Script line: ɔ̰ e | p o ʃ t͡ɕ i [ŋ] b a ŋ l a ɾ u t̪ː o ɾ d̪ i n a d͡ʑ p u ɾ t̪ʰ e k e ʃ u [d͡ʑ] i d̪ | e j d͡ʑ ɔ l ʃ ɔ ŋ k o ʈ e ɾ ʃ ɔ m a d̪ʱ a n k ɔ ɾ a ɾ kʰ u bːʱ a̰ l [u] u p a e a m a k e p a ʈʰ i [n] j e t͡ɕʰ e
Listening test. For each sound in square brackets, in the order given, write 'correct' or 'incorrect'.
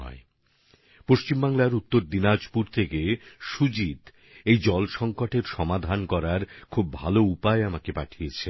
incorrect, correct, incorrect, incorrect

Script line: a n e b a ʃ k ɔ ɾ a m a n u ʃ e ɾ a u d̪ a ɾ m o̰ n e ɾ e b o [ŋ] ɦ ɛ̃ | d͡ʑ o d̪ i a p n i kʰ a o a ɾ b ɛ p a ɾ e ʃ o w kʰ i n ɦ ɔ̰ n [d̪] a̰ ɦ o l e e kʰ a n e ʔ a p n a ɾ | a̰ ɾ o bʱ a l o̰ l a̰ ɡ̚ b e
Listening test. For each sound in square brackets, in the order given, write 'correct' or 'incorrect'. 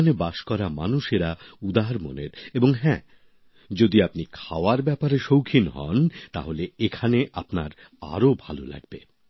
correct, incorrect

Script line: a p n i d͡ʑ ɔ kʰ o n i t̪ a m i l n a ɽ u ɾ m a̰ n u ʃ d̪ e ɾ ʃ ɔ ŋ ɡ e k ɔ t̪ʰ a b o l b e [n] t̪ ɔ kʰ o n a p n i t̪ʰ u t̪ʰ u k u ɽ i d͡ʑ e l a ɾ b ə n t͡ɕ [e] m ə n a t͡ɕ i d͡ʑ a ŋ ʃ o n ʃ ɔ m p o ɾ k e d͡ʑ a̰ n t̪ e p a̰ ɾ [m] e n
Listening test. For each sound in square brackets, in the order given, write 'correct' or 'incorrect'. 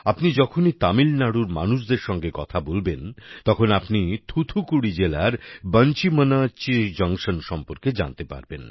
correct, incorrect, incorrect

